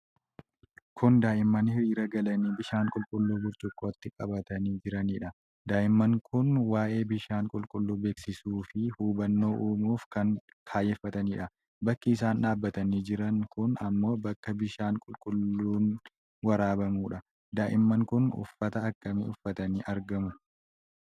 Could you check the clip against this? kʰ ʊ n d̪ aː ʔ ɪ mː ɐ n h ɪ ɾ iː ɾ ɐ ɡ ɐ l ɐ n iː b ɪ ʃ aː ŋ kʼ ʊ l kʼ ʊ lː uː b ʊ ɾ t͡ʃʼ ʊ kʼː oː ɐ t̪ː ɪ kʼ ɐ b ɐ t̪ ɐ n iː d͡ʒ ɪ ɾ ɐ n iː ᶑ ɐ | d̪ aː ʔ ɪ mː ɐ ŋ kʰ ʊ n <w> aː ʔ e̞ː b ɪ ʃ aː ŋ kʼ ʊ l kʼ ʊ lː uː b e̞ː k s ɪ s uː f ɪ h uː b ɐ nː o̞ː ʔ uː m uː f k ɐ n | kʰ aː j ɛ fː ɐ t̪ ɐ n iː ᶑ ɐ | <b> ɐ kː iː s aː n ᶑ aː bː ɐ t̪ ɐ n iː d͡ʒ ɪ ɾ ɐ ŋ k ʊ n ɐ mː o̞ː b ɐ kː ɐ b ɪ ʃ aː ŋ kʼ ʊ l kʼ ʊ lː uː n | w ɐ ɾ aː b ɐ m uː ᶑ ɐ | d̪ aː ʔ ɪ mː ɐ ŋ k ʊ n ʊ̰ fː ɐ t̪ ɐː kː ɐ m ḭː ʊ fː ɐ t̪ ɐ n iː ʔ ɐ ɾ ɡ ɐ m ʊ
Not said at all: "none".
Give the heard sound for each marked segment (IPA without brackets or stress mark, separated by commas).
w, b